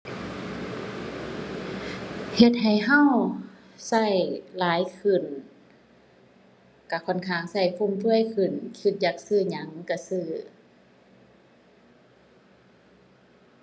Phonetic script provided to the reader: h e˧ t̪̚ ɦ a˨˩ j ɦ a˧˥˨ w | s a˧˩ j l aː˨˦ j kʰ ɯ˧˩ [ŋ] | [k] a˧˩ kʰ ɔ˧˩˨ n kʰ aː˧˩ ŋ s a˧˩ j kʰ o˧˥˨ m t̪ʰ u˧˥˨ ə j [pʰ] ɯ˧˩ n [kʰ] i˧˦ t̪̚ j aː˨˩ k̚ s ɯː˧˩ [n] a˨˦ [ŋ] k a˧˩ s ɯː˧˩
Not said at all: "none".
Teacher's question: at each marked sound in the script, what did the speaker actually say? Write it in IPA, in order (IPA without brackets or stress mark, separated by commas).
n, k, kʰ, kʰ, ɲ, ŋ